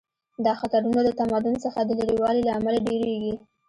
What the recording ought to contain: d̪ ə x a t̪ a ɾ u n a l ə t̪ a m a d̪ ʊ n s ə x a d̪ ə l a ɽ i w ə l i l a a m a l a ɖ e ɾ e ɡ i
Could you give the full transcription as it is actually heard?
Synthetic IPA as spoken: d̪ ɑ x a t̪ a ɾ u n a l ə t̪ a m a d̪ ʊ n s ə x a d̪ ə l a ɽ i w ɑ l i l a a m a l a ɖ e ɾ e ɡ i